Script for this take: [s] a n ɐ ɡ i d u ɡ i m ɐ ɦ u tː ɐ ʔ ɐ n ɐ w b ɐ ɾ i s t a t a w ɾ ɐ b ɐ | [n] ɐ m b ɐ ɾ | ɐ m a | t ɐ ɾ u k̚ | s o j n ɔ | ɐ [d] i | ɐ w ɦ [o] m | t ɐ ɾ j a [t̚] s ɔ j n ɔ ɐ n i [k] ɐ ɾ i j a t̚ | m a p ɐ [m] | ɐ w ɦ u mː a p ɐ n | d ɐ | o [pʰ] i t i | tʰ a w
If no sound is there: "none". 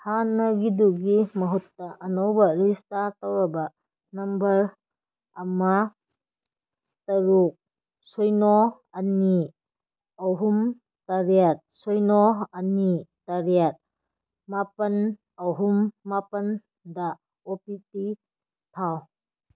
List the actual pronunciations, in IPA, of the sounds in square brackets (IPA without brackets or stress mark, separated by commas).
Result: h, n, n, u, t̚, t, n, p